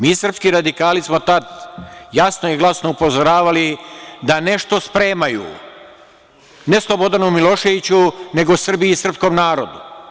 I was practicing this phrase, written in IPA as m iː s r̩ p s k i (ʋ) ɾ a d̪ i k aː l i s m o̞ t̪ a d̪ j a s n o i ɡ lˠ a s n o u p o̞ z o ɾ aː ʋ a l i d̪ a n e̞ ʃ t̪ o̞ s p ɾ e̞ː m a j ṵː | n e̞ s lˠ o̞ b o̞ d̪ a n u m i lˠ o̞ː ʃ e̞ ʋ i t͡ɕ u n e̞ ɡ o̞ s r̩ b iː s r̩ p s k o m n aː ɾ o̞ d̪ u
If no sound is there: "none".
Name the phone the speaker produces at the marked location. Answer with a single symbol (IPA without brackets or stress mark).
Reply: none